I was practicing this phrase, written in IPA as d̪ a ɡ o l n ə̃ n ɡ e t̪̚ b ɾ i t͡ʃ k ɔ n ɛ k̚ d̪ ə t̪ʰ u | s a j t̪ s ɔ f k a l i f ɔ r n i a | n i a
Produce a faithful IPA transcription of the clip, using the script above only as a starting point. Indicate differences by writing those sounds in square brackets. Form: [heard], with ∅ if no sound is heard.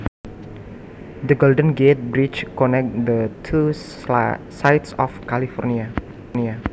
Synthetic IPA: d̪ [ə] ɡ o l [d] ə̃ n ɡ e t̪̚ b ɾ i t͡ʃ k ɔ n ɛ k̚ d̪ ə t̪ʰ u | s a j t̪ s ɔ f k a l i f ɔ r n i a | n i a